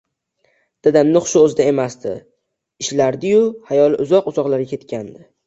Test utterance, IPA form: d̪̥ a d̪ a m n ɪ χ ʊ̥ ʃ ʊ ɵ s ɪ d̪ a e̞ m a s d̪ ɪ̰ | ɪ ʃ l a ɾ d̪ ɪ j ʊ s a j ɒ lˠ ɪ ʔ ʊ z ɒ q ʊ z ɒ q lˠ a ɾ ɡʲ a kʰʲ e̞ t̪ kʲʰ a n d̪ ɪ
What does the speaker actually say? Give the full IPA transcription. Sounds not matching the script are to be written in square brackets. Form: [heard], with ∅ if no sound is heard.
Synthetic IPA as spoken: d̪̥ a d̪ a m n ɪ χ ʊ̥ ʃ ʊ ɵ [z] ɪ d̪ a e̞ m a s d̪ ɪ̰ | ɪ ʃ l a ɾ d̪ ɪ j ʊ [h] a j ɒ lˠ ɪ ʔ ʊ z ɒ q ʊ z ɒ q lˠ a ɾ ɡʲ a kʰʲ e̞ t̪ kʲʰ a n d̪ ɪ